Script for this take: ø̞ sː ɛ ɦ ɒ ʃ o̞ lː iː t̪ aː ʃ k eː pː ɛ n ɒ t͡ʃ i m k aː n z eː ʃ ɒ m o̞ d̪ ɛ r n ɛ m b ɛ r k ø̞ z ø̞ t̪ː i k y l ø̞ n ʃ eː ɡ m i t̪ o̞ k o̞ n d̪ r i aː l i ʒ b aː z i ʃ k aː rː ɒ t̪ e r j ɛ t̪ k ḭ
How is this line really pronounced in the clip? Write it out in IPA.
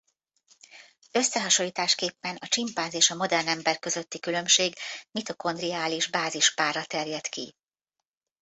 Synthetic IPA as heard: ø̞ sː ɛ ɦ ɒ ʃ o̞ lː iː t̪ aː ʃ k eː pː ɛ n ɒ t͡ʃ i m p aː n z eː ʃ ɒ m o̞ d̪ ɛ r n ɛ m b ɛ r k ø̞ z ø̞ t̪ː i k y l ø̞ m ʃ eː ɡ m i t̪ o̞ k o̞ n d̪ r i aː l i ʒ b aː z i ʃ p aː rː ɒ t̪ ɛ r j ɛ t̪ k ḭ